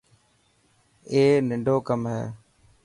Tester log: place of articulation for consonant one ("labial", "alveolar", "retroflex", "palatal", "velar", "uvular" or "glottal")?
alveolar